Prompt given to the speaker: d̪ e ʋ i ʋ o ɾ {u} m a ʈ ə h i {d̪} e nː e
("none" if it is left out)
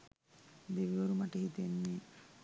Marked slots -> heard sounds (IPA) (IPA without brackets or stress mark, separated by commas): u, t̪